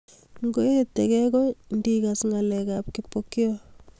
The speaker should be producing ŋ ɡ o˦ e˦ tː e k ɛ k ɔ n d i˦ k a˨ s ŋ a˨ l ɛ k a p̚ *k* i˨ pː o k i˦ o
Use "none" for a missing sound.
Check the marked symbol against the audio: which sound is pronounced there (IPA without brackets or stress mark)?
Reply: k